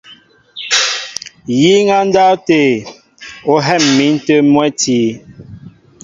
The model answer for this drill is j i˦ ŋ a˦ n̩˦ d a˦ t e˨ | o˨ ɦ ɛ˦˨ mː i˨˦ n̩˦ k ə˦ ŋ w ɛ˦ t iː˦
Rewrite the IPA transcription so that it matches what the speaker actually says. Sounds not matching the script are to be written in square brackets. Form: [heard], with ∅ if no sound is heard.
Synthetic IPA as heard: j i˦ ŋ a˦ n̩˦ d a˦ t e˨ | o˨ ɦ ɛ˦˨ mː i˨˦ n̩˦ [t] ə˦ [m] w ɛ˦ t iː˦